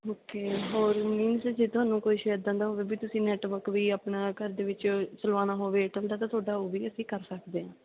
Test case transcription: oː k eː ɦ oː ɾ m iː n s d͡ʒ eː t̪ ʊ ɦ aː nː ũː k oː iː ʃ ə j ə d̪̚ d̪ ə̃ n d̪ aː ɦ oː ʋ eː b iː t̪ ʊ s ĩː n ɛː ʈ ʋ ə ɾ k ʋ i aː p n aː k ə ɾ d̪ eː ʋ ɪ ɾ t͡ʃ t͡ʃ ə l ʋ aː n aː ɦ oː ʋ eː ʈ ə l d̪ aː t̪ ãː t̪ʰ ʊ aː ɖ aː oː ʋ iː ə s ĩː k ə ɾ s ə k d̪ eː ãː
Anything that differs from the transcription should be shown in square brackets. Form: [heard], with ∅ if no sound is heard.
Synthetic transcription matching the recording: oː k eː ɦ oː ɾ m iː n s d͡ʒ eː t̪ ʊ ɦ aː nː ũː k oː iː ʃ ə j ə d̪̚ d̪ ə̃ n d̪ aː ɦ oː ʋ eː b iː t̪ ʊ s ĩː n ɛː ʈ ʋ ə ɾ k ʋ [iː] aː p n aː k ə ɾ d̪ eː ʋ ɪ [∅] t͡ʃ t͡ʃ ə l ʋ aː n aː ɦ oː ʋ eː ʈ ə l d̪ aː t̪ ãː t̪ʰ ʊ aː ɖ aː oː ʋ iː ə s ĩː k ə ɾ s ə k d̪ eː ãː